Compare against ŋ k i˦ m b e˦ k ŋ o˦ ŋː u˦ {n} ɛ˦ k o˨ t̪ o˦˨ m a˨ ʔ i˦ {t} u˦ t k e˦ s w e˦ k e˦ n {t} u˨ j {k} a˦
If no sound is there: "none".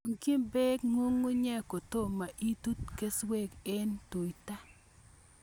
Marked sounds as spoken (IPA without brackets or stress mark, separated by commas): ɲ, t, t, t